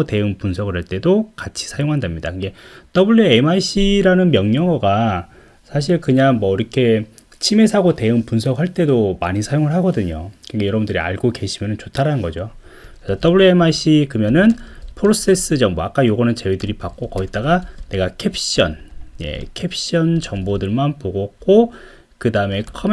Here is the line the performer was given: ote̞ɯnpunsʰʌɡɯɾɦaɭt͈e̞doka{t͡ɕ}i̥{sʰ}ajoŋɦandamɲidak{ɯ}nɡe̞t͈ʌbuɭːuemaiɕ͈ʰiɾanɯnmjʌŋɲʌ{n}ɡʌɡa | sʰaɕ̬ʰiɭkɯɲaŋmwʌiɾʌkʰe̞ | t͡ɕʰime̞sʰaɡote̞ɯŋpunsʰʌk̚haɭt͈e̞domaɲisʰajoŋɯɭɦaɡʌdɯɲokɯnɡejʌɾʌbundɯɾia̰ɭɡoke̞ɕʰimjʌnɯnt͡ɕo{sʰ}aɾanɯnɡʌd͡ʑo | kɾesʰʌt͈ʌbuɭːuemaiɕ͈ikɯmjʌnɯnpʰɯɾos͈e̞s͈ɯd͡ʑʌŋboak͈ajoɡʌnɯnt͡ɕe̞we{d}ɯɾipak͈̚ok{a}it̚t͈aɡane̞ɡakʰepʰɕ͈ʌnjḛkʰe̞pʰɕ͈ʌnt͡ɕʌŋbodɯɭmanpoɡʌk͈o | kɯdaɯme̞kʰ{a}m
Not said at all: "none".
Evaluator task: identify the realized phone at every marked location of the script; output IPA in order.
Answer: t͡ɕʰ, sʰ, ɯ, ŋ, tʰ, d, ʌ, ʌ

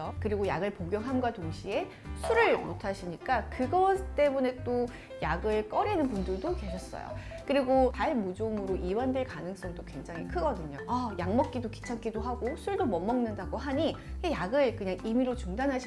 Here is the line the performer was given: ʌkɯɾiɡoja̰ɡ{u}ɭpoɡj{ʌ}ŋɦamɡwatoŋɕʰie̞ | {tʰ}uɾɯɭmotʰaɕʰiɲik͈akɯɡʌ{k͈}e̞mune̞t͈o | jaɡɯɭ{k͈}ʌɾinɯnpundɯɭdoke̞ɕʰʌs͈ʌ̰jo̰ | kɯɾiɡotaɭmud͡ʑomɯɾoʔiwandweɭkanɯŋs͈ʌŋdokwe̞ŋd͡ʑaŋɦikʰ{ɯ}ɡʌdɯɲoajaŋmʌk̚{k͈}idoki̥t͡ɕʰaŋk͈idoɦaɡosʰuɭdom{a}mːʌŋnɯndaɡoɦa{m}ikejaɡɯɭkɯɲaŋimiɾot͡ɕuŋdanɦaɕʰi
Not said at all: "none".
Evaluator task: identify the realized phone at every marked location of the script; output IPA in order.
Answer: ɯ, ʌ, sʰ, t͈, k͈, ɯ, k͈, ʌ, ɲ

